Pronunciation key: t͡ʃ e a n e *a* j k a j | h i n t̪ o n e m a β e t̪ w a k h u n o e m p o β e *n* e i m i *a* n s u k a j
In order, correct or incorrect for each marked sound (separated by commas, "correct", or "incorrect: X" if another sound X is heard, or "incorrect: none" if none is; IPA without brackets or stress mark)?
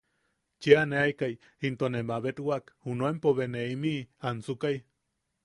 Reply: correct, correct, correct